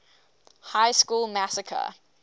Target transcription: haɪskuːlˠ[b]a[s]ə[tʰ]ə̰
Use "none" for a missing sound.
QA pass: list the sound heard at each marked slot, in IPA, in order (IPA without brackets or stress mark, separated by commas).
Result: m, s, kʰ